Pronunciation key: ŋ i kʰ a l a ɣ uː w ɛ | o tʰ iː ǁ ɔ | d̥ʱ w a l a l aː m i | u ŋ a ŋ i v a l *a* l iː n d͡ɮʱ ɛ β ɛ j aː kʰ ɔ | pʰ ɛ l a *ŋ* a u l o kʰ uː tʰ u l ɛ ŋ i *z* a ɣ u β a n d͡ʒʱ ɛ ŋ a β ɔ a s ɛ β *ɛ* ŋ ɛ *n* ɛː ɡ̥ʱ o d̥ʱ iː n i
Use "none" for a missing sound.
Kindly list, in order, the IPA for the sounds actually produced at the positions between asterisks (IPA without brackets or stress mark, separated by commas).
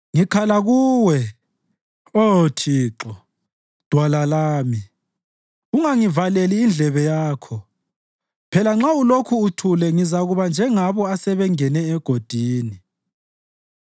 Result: e, ŋ͡ǁ, z, ɛ, n